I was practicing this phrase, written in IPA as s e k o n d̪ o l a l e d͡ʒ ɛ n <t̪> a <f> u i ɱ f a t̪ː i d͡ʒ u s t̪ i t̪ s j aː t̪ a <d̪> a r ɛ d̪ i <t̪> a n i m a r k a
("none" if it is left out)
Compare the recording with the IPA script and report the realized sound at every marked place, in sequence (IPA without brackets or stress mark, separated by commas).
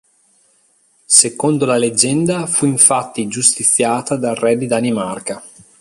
d̪, f, d̪, d̪